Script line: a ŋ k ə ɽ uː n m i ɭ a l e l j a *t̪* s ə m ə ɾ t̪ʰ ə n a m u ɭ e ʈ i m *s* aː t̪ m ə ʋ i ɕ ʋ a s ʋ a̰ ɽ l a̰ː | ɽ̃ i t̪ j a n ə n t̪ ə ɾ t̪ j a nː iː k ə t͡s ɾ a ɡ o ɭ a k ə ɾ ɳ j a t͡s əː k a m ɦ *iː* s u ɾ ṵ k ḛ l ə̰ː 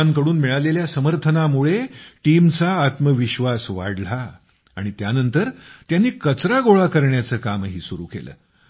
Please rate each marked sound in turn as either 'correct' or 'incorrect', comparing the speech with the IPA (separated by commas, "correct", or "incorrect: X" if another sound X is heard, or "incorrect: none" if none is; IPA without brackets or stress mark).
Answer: incorrect: none, incorrect: t͡s, correct